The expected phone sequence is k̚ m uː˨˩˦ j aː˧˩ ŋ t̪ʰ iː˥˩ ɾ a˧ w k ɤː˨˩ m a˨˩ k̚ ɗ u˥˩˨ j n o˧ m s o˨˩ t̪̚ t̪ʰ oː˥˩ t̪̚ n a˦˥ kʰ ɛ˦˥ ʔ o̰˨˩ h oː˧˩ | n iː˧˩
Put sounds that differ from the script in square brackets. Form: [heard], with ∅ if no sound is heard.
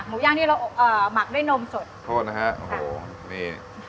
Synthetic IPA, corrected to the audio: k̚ m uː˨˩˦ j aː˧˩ ŋ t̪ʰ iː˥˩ ɾ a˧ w [ʔ] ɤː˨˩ m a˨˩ k̚ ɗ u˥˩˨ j n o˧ m s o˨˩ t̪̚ t̪ʰ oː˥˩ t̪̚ n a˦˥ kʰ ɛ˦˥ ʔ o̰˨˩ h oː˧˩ | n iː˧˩